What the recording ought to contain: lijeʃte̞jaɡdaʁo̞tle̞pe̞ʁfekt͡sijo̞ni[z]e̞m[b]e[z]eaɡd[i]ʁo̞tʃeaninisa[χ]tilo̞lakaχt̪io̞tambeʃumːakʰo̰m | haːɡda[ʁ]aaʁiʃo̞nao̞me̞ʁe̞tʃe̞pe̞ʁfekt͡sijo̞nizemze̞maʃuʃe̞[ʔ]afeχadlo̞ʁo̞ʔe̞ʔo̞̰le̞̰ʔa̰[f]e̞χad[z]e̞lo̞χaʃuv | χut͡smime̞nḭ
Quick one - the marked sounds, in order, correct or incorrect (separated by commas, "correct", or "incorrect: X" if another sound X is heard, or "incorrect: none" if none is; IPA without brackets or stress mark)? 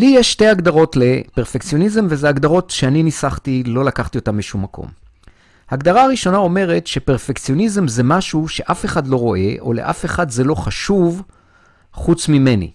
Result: correct, incorrect: v, correct, incorrect: a, correct, correct, correct, correct, correct